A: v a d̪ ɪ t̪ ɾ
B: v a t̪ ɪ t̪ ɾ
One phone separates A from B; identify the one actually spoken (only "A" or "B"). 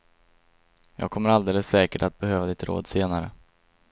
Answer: A